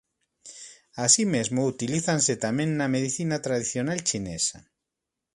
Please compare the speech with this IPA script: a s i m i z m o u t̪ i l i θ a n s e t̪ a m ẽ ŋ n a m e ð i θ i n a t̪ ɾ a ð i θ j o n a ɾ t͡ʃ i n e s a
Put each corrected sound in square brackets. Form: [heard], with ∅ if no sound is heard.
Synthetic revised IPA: a s i m [e] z m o u t̪ i l i θ a n s e t̪ a m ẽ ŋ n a m e ð i θ i n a t̪ ɾ a ð i θ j o n a [l] t͡ʃ i n e s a